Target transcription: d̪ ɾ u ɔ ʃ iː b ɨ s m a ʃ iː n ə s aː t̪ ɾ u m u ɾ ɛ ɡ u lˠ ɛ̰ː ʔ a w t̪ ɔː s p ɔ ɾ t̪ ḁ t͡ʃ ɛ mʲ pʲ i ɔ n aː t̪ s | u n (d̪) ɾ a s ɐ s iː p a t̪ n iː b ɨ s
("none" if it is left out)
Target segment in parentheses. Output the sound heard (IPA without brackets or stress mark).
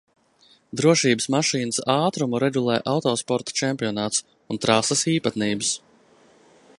t̪